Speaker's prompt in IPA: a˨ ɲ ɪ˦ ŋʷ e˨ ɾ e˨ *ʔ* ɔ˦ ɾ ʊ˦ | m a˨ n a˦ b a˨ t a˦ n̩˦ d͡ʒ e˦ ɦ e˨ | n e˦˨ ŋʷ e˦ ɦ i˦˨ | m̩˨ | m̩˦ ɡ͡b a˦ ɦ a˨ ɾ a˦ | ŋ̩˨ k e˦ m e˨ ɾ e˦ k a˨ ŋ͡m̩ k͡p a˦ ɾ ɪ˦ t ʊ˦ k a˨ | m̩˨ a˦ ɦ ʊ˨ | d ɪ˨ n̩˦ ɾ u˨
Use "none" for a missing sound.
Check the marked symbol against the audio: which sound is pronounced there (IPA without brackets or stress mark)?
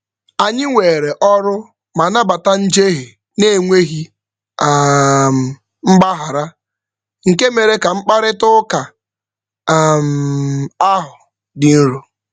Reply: ʔ